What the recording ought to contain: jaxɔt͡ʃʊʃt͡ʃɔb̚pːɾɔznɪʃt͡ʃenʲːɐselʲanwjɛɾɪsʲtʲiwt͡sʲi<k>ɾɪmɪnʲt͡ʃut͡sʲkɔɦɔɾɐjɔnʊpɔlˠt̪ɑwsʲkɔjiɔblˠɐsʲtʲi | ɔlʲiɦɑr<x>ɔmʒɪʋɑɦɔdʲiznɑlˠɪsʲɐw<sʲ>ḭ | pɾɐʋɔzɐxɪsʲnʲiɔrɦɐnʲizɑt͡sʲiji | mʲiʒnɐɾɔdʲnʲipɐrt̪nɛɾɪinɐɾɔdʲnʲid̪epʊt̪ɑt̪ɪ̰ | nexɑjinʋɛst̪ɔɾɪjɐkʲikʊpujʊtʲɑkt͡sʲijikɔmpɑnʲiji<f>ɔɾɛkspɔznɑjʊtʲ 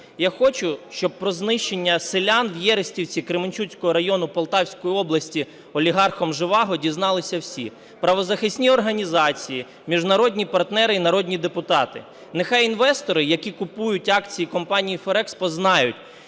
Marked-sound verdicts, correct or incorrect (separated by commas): correct, correct, correct, correct